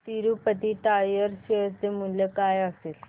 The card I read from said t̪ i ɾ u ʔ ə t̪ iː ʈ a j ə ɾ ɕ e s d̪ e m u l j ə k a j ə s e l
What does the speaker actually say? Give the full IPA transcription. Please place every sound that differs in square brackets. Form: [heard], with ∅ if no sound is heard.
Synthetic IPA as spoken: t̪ i ɾ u [p] ə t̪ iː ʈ a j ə ɾ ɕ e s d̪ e m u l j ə k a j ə s e l